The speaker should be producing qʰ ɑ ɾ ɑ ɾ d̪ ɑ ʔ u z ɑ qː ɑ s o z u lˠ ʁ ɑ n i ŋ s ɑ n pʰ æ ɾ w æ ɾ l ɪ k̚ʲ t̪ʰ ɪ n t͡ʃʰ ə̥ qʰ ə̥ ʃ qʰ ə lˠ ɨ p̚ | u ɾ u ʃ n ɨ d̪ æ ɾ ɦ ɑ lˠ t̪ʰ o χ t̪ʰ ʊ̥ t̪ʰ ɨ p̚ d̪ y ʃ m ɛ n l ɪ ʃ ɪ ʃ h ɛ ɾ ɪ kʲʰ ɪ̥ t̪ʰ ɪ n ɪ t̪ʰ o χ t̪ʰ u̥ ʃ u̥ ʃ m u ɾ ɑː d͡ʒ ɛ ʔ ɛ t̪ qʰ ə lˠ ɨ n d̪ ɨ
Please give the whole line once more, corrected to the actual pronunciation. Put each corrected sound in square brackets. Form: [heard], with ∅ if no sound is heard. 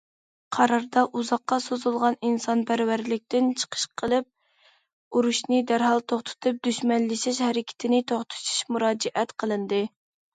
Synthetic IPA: qʰ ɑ ɾ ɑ ɾ d̪ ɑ ʔ u z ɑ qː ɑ s o z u lˠ ʁ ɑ n i [n] s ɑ n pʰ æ ɾ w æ ɾ l ɪ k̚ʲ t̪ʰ ɪ n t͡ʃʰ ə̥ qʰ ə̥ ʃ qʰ ə lˠ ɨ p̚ | u ɾ u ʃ n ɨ d̪ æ ɾ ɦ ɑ lˠ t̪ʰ o χ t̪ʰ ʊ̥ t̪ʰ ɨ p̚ d̪ y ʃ m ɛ n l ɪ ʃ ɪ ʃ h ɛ ɾ ɪ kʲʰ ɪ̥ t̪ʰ ɪ n ɪ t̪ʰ o χ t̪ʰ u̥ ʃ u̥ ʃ m u ɾ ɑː d͡ʒ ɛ ʔ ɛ t̪ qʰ ə lˠ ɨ n d̪ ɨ